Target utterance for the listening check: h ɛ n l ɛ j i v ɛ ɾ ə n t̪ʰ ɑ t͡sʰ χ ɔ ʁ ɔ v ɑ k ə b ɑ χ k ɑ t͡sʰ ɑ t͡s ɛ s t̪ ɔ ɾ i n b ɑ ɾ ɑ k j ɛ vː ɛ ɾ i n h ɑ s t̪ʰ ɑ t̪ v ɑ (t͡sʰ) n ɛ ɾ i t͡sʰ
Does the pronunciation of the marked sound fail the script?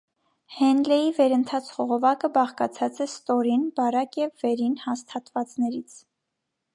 yes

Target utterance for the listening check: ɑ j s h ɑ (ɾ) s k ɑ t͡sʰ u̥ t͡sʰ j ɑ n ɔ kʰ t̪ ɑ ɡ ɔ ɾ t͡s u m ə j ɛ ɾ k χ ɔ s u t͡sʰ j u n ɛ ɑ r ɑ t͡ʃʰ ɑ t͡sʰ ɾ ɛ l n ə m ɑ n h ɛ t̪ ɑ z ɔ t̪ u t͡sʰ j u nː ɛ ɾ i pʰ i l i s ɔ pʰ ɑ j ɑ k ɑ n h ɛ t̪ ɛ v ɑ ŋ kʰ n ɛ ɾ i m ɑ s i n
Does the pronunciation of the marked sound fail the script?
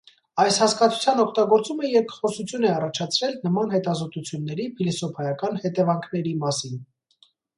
yes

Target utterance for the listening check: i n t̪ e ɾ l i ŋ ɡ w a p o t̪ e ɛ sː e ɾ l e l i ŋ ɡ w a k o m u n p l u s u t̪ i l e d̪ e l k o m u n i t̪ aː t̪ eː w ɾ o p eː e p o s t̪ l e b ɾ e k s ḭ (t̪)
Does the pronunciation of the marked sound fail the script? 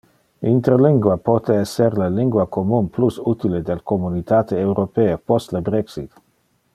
no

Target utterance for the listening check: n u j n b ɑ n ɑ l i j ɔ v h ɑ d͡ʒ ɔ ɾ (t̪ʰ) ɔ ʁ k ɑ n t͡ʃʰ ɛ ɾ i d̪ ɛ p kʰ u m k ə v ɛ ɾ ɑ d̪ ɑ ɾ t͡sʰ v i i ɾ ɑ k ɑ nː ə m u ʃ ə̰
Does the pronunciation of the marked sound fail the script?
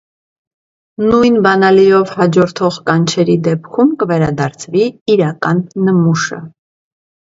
no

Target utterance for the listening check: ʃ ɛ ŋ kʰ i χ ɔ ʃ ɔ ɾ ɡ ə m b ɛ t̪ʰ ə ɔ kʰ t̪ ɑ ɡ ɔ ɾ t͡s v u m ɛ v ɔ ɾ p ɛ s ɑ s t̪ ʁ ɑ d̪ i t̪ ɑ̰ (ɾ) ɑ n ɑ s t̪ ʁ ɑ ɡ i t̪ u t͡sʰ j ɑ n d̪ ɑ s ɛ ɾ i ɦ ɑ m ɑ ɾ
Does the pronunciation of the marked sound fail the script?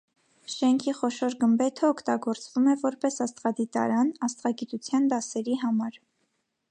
no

